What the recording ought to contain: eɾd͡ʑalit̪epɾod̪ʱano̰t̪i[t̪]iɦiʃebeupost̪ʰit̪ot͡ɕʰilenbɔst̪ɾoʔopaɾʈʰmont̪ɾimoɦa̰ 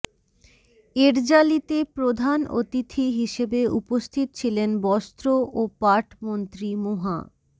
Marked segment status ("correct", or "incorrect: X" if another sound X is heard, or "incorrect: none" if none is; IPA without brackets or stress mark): incorrect: t̪ʰ